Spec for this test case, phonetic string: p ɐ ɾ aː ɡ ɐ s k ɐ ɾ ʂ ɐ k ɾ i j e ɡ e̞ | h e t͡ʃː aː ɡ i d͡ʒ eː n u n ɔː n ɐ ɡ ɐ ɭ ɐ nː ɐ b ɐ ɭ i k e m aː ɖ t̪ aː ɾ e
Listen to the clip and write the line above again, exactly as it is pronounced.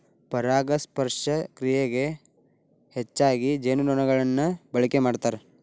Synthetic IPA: p ɐ ɾ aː ɡ ɐ s p ɐ ɾ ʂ ɐ k ɾ i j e ɡ e̞ | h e t͡ʃː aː ɡ i d͡ʒ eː n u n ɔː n ɐ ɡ ɐ ɭ ɐ nː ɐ b ɐ ɭ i k e m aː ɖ t̪ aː ɾ e